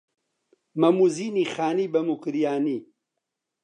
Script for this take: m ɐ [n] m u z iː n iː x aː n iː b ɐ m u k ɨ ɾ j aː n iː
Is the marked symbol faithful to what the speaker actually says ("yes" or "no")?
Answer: no